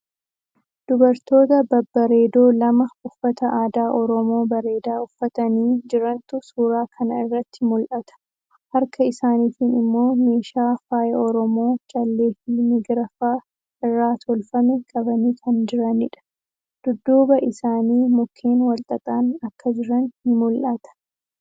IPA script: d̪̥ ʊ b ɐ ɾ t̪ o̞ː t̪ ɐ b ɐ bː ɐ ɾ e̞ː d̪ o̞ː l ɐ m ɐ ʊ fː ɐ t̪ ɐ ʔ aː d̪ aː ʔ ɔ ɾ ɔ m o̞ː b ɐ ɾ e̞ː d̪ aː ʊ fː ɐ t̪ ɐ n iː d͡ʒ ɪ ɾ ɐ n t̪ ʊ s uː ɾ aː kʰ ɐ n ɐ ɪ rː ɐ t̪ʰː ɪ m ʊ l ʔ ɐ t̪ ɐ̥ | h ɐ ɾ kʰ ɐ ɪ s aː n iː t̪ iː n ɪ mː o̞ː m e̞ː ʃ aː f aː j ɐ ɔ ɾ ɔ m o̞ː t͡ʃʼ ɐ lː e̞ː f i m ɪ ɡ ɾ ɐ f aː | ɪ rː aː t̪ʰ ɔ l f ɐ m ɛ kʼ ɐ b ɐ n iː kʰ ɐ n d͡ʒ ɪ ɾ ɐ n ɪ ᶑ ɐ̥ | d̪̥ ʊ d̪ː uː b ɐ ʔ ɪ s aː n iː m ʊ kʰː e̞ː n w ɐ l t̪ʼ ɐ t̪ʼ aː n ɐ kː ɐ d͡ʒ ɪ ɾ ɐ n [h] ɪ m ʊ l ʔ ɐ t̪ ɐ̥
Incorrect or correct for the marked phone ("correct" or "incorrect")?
correct